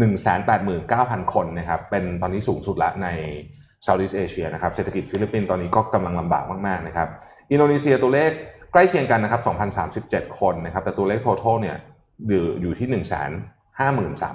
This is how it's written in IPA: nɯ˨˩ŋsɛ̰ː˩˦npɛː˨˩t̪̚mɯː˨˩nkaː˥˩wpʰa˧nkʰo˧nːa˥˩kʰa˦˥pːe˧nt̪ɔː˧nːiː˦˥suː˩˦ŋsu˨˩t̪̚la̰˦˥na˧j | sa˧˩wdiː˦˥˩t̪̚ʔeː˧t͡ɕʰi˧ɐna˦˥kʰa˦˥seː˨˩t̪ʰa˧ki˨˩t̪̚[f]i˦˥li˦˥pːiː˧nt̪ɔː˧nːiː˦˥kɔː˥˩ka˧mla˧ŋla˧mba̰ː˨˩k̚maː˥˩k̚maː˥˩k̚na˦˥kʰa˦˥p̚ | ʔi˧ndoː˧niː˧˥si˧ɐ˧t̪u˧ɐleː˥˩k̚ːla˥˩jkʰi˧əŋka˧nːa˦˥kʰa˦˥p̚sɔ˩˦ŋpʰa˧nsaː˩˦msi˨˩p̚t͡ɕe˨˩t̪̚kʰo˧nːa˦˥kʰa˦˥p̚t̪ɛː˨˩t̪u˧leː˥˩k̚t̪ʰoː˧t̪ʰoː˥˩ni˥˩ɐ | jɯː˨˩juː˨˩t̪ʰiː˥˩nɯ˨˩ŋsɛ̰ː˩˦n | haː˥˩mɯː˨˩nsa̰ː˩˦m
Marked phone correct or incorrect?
correct